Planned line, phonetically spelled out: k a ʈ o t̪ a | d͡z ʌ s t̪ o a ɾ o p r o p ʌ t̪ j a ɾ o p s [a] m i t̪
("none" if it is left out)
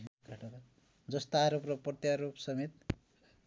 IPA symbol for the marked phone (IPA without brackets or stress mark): ʌ